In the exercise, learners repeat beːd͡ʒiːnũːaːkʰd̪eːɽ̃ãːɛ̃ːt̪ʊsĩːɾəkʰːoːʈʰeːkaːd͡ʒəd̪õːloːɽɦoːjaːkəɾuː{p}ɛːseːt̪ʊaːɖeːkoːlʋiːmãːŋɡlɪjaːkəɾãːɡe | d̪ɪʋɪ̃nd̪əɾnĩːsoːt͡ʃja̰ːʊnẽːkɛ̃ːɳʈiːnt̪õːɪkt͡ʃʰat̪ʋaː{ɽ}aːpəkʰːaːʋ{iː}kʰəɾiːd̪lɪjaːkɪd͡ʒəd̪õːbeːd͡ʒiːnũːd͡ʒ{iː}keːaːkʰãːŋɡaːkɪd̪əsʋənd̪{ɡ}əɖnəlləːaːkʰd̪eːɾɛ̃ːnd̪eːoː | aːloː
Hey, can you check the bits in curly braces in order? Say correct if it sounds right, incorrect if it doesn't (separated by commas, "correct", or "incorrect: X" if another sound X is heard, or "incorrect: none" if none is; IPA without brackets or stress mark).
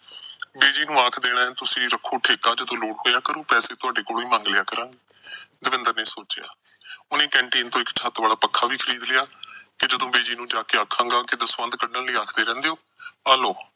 correct, incorrect: l, correct, incorrect: aː, incorrect: k